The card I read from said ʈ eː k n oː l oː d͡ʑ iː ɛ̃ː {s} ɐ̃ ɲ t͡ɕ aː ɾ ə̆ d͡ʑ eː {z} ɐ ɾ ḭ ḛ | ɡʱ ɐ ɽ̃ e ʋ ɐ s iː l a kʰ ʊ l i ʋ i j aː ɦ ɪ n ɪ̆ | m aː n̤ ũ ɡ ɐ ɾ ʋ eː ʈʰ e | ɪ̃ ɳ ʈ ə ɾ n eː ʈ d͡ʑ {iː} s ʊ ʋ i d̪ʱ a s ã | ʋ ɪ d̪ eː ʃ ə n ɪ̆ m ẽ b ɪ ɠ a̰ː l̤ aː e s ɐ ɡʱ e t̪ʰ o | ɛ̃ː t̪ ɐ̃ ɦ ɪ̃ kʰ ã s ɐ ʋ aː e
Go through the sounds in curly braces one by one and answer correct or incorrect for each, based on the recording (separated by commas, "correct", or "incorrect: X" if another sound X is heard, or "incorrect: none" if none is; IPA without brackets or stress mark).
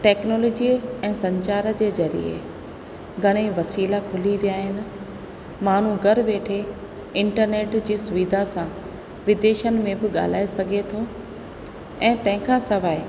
correct, correct, correct